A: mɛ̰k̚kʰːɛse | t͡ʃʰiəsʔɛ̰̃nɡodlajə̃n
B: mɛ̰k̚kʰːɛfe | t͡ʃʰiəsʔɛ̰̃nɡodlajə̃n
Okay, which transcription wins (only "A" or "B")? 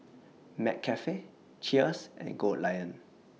B